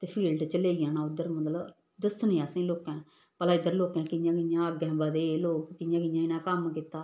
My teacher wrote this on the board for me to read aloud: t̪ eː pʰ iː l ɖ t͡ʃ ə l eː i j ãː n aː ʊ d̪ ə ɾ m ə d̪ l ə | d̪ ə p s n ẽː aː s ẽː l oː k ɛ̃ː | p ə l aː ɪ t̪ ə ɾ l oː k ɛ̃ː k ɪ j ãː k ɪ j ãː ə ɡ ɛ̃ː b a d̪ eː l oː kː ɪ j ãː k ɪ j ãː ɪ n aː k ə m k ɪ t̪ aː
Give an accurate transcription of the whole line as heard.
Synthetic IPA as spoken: t̪ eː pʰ iː l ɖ t͡ʃ ə l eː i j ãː n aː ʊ d̪ ə ɾ m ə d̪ l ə | d̪ ə s n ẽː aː s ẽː l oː k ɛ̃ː | p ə l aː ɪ d̪ ə ɾ l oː k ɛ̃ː k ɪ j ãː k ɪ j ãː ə ɡ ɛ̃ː b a d̪ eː l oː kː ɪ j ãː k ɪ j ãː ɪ n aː k ə m k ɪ t̪ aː